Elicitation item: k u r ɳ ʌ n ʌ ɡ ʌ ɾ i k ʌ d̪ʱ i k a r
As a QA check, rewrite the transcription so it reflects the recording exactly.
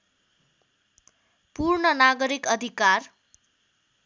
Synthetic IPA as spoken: p u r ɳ ʌ n a ɡ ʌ ɾ i k ʌ d̪ʱ i k a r